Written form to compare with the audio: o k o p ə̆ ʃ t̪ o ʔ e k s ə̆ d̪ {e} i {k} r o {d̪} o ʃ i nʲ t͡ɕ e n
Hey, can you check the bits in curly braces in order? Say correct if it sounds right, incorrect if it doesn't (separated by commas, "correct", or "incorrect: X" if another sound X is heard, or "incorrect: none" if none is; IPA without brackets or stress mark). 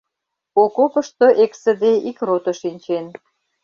correct, correct, incorrect: t̪